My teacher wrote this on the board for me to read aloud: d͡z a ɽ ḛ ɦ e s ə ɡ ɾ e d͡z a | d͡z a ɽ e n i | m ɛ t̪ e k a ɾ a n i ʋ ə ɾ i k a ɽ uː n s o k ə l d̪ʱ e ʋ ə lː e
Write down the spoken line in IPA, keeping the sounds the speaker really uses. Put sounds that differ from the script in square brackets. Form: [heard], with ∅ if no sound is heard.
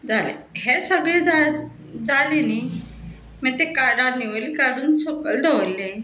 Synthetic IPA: d͡z a [l] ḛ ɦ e s ə ɡ [ɭ] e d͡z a | d͡z a [l] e n i | m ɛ t̪ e k a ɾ a n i ʋ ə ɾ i k a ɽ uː n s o k ə l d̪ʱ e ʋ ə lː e